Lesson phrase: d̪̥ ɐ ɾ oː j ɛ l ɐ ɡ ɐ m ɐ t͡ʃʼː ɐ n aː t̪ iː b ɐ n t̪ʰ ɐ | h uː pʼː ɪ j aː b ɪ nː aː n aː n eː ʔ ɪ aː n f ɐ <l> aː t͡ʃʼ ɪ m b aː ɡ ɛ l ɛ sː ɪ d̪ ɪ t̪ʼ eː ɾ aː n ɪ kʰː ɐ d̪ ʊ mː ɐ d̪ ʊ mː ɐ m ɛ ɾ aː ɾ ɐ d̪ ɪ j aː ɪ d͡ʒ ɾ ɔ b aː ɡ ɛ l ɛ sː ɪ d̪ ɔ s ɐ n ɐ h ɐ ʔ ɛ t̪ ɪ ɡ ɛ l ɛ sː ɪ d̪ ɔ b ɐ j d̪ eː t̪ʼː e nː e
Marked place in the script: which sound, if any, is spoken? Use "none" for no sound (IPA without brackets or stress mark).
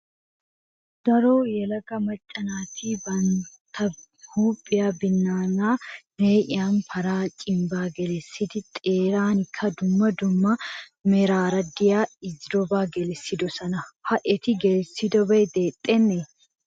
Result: ɾ